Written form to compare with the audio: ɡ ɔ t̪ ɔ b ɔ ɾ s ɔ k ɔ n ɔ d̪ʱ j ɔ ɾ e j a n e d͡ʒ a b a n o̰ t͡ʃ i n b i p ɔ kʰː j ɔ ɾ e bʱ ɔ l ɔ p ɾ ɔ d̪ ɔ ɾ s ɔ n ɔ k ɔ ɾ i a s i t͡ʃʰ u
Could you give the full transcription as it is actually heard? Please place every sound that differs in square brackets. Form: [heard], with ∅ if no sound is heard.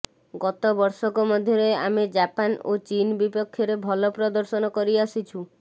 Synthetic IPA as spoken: ɡ ɔ t̪ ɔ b ɔ ɾ s ɔ k ɔ [m] ɔ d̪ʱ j ɔ ɾ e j a [m] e d͡ʒ a [p] a n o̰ t͡ʃ i n b i p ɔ kʰː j ɔ ɾ e bʱ ɔ l ɔ p ɾ ɔ d̪ ɔ ɾ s ɔ n ɔ k ɔ ɾ i a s i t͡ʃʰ u